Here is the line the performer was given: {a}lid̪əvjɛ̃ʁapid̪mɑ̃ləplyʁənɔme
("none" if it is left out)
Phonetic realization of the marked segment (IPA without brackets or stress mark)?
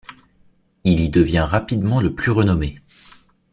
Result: i